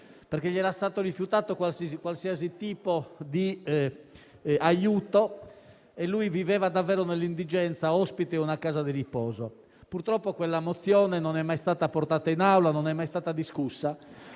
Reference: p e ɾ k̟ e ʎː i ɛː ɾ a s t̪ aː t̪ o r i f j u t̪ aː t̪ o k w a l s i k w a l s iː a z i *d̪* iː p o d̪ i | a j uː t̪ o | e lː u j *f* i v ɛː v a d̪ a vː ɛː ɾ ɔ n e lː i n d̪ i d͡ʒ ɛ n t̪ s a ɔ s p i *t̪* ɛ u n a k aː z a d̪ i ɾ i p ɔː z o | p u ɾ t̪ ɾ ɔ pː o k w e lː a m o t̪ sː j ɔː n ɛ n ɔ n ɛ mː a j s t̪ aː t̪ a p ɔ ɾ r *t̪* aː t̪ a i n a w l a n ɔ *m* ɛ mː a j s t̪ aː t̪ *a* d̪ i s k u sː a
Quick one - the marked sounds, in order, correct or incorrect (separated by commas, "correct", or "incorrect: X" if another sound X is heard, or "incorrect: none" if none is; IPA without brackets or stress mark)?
incorrect: t̪, incorrect: v, correct, correct, incorrect: n, correct